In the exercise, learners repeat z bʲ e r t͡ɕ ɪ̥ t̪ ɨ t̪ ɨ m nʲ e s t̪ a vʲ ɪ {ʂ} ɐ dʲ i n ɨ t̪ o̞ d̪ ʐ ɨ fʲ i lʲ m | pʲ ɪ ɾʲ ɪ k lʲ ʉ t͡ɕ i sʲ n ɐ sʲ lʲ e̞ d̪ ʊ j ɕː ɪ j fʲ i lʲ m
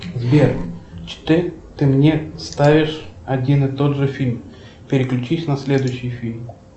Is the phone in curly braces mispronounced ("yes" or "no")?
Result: no